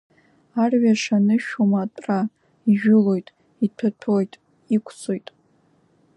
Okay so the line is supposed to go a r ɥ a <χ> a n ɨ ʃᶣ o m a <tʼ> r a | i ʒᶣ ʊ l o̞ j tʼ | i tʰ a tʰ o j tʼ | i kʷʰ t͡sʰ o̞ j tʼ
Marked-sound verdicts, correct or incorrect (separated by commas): incorrect, correct